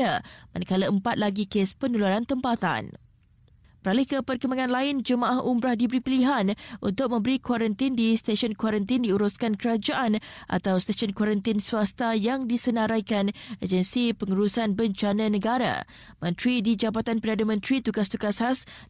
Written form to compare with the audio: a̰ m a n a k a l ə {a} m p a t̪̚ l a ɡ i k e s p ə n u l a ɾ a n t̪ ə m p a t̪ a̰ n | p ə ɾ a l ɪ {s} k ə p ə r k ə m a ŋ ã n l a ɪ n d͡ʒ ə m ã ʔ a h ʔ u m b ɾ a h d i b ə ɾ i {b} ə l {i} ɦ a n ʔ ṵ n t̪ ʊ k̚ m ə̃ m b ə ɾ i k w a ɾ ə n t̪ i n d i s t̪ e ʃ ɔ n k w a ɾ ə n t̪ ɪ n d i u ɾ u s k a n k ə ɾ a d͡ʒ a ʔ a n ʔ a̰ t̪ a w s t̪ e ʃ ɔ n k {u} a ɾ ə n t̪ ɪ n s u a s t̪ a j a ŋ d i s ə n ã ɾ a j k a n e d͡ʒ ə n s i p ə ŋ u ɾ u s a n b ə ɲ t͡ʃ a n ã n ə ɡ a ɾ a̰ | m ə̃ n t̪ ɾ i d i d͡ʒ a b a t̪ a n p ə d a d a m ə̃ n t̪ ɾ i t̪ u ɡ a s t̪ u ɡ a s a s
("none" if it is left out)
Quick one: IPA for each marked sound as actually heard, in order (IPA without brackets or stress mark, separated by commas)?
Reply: ə, h, p, i, w